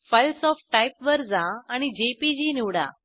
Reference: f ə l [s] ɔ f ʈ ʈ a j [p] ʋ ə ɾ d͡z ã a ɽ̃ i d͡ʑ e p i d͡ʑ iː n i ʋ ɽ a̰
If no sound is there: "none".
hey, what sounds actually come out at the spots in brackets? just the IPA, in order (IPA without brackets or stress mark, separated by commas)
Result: s, p